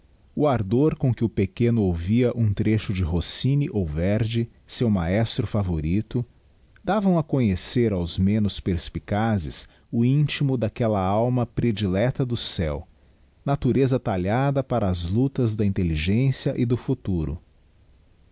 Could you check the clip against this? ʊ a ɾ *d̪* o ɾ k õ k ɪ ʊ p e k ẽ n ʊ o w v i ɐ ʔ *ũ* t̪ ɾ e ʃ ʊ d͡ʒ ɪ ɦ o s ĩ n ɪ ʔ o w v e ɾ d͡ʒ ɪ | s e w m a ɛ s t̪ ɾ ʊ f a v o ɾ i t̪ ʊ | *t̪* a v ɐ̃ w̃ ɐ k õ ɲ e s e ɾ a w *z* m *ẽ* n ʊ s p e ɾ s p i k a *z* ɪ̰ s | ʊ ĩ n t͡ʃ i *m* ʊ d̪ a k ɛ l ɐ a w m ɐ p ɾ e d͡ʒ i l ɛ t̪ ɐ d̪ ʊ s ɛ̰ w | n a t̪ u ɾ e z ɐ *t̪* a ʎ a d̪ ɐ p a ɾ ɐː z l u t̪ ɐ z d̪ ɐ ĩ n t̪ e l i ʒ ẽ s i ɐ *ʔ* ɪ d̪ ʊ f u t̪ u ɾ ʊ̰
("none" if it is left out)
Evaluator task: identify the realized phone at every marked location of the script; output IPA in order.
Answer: d̪, ũ, d̪, z, ẽ, z, m, t̪, ʔ

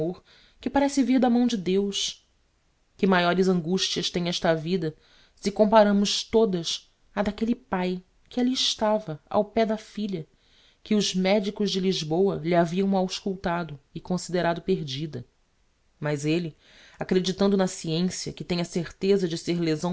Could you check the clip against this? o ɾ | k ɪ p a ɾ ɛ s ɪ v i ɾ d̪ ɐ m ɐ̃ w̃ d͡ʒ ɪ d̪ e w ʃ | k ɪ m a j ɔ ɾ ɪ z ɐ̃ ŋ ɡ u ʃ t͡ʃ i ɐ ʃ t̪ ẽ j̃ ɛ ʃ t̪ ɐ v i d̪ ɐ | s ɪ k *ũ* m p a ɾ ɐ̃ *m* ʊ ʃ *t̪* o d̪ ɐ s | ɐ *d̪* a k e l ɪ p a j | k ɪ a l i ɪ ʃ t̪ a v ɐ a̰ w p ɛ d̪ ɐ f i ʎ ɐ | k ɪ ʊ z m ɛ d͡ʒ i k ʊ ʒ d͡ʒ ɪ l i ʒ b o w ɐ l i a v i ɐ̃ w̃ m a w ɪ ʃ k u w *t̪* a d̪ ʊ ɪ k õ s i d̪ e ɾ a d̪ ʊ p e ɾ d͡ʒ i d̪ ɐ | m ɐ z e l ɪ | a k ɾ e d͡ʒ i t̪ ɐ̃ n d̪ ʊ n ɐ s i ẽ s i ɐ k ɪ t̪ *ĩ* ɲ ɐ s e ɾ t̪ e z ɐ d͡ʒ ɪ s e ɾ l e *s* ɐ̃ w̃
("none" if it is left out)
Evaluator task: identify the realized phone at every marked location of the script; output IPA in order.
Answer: õ, m, t̪, d̪, t̪, ẽ, z

